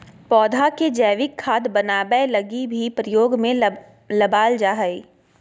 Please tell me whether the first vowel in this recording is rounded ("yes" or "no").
yes